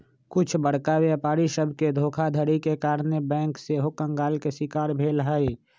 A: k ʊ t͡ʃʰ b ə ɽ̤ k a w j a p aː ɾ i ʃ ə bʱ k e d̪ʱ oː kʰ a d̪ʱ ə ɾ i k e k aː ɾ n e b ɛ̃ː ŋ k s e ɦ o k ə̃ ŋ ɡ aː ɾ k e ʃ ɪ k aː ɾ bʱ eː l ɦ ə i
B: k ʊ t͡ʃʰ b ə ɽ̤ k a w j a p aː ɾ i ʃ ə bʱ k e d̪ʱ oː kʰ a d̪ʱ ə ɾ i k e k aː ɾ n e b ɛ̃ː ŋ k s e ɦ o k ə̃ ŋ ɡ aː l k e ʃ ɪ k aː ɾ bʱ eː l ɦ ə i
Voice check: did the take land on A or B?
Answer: B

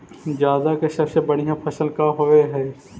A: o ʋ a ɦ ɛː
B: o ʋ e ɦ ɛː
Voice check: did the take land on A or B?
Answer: B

